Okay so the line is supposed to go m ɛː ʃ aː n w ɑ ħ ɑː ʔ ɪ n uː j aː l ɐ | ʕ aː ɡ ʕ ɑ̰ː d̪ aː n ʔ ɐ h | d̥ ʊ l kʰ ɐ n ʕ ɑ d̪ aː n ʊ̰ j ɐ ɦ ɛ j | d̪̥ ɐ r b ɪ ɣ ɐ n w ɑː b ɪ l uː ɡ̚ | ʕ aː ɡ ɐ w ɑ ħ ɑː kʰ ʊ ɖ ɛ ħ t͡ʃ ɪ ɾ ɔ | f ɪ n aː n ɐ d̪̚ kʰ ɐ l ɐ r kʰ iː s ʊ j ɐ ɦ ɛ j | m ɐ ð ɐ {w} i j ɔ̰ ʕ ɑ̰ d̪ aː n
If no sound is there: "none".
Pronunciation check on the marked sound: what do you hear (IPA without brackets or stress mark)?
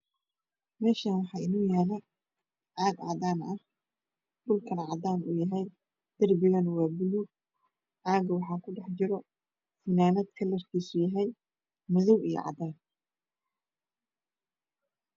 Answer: w